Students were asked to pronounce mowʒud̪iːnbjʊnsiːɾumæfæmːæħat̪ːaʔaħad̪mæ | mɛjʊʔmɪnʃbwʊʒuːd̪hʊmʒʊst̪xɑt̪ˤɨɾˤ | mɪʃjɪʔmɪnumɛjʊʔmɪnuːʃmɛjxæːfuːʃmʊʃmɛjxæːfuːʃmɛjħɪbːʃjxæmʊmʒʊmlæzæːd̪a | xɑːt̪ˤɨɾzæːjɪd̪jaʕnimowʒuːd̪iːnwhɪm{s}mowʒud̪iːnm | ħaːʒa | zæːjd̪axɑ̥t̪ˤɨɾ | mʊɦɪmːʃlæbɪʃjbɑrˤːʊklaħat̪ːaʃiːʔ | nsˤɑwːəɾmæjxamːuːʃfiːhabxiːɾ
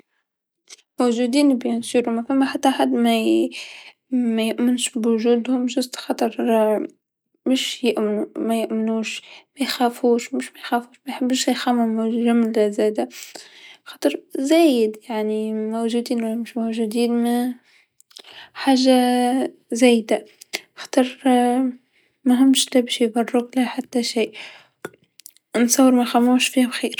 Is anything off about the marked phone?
yes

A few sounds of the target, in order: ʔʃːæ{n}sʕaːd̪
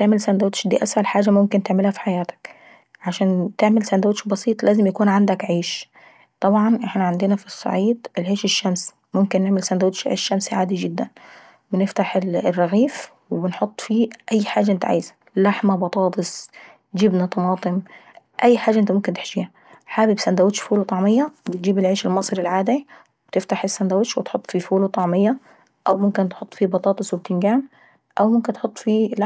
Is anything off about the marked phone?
yes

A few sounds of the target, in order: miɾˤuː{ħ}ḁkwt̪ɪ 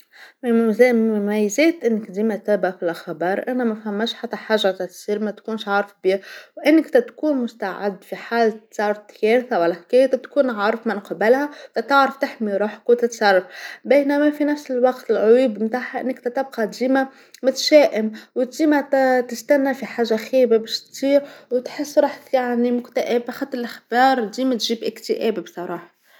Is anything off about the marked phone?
no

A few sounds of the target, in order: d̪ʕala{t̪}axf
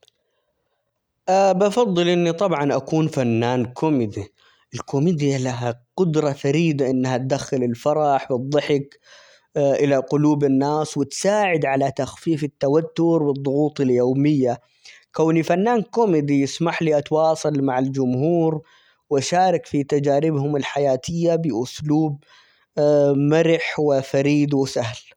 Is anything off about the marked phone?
no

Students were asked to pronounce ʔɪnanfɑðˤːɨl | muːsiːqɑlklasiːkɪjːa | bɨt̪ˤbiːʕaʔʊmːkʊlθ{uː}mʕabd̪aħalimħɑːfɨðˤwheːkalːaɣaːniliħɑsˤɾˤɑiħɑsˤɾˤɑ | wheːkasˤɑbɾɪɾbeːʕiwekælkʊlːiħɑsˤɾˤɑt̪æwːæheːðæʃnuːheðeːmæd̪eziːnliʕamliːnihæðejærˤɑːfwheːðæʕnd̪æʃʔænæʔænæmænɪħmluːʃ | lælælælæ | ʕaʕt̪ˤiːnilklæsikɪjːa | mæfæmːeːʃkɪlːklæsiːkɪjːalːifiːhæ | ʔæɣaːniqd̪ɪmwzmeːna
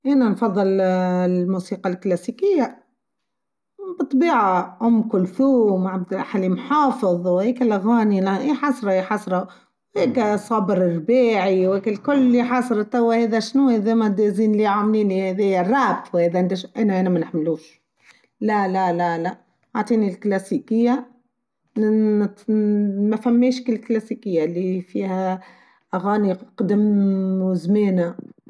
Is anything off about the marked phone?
no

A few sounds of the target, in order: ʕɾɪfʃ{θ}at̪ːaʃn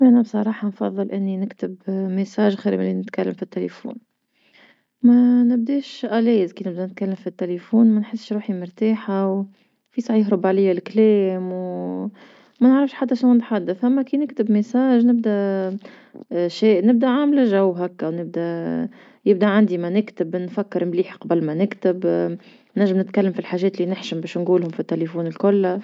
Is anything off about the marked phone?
yes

